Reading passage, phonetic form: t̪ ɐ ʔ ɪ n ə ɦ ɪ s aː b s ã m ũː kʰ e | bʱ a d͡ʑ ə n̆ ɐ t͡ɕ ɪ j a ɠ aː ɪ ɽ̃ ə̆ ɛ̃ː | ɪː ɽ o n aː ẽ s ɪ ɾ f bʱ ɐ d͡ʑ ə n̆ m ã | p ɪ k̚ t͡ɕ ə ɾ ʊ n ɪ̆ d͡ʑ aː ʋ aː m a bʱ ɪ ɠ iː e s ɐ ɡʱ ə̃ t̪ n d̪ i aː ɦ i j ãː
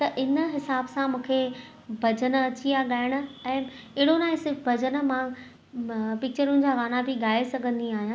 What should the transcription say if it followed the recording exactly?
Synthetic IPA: t̪ ɐ ʔ ɪ n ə ɦ ɪ s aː b s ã m ũː kʰ e | bʱ ɐ d͡ʑ ə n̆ ɐ t͡ɕ i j a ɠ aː ɪ ɽ̃ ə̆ ɛ̃ː | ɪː ɽ o n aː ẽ s ɪ ɾ f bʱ ɐ d͡ʑ ə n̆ m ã | p ɪ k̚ t͡ɕ ə ɾ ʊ n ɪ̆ d͡ʑ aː ʋ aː n a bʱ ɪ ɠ aː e s ɐ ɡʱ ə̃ n d̪ i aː ɦ i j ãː